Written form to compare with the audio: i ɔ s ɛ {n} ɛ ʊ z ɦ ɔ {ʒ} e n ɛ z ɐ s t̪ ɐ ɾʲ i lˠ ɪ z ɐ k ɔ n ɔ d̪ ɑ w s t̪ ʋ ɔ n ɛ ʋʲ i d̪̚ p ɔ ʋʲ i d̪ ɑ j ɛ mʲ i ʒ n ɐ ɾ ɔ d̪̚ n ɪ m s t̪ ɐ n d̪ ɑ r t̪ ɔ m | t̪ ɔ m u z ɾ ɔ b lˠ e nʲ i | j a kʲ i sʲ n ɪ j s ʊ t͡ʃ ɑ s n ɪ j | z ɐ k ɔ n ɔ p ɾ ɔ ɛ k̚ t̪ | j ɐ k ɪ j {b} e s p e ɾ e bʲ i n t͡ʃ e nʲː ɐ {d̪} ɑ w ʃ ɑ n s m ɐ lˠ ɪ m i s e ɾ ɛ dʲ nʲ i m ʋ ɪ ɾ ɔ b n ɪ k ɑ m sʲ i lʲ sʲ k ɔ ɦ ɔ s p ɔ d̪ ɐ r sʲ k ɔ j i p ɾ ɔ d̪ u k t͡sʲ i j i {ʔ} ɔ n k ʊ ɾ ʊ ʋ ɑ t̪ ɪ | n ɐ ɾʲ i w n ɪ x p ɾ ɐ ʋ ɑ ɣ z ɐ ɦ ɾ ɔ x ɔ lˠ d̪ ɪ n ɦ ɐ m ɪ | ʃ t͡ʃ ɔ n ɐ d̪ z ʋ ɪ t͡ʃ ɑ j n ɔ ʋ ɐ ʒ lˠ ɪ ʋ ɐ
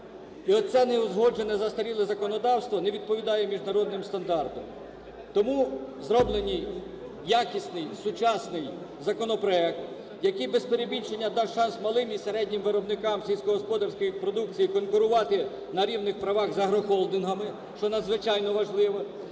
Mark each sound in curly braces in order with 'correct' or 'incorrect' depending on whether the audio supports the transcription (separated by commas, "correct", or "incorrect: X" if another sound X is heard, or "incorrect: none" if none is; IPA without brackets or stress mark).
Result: correct, incorrect: d͡ʒ, correct, correct, incorrect: k